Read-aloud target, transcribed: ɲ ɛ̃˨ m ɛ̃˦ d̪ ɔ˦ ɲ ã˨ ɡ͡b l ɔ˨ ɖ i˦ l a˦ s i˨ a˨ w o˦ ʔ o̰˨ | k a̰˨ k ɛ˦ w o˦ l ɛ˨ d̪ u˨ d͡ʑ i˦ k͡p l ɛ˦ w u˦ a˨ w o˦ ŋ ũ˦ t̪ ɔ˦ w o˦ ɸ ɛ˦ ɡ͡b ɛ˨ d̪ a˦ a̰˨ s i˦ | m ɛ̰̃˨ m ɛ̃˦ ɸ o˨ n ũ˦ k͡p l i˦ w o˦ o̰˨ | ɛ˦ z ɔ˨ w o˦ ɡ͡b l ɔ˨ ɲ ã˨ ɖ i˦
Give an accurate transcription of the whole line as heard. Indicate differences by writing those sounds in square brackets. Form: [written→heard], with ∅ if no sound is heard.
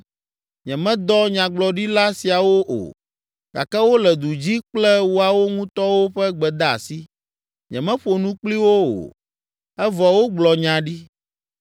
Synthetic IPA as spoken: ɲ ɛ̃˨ m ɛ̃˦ d̪ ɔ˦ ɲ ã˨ ɡ͡b l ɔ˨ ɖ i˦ l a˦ s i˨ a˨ w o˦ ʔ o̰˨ | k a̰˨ k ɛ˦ w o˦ l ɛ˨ d̪ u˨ d͡ʑ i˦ k͡p l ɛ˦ w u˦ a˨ w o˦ ŋ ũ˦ t̪ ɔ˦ w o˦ ɸ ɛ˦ ɡ͡b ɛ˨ d̪ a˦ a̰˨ s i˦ | [m→ɲ] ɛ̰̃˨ m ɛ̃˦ ɸ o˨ n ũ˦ k͡p l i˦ w o˦ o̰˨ | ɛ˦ [z→v] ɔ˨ w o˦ ɡ͡b l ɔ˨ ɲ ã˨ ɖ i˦